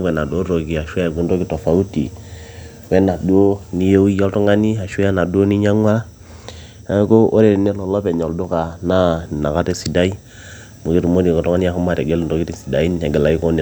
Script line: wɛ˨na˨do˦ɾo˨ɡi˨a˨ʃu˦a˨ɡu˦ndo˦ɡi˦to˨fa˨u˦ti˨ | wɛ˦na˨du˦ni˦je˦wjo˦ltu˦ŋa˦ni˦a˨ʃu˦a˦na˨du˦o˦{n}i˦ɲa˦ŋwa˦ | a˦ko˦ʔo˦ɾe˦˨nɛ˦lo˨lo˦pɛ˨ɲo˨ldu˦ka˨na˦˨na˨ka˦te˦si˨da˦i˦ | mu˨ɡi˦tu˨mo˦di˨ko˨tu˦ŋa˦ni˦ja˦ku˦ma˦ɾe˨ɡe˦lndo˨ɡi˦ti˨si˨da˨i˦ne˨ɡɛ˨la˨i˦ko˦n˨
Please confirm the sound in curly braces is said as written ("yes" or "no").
yes